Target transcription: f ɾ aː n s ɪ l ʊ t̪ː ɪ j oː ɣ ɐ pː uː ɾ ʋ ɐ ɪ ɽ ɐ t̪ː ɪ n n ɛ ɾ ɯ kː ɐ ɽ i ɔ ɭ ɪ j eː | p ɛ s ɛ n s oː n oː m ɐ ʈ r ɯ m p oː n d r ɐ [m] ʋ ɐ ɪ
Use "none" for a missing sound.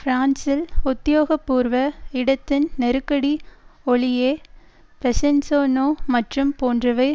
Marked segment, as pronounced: none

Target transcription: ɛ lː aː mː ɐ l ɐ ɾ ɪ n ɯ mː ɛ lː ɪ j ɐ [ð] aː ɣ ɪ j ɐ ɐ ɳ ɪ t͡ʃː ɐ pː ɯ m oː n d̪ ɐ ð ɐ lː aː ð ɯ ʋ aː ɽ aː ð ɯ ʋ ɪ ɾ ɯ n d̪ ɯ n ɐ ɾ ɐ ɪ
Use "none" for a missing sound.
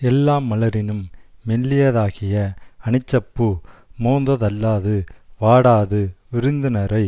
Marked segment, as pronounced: ð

